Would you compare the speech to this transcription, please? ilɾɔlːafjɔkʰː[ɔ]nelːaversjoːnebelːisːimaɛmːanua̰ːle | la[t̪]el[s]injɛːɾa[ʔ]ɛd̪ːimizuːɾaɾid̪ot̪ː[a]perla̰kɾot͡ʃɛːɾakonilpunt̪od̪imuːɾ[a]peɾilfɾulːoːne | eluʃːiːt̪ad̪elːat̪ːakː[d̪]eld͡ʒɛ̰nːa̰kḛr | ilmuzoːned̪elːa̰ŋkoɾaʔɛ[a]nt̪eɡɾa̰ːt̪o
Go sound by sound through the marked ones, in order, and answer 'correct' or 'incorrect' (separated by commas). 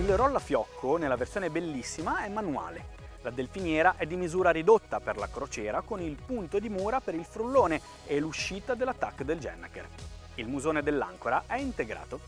incorrect, incorrect, incorrect, correct, correct, correct, correct, incorrect